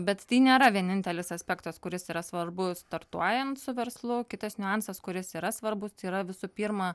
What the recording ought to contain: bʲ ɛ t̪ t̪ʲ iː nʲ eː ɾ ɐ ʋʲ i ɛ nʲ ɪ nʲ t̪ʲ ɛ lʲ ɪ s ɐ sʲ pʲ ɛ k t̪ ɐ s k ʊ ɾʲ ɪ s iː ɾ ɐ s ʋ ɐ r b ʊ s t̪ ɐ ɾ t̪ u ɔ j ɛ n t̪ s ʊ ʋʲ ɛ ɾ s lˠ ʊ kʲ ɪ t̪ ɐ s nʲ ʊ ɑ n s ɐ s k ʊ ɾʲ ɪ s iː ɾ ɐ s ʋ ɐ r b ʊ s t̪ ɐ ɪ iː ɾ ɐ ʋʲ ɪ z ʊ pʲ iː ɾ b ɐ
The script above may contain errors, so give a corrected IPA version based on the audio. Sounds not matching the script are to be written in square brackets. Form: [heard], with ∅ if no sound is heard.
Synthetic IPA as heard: bʲ ɛ t̪ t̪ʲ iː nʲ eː ɾ ɐ ʋʲ i ɛ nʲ ɪ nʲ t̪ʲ ɛ lʲ ɪ s ɐ sʲ pʲ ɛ k t̪ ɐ s k ʊ ɾʲ ɪ s iː ɾ ɐ s ʋ ɐ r b ʊ s t̪ ɐ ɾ t̪ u ɔ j ɛ n t̪ s ʊ ʋʲ ɛ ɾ s lˠ ʊ kʲ ɪ t̪ ɐ s nʲ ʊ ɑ n s ɐ s k ʊ ɾʲ ɪ s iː ɾ ɐ s ʋ ɐ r b ʊ s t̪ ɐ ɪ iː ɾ ɐ ʋʲ ɪ [s] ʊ pʲ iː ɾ [m] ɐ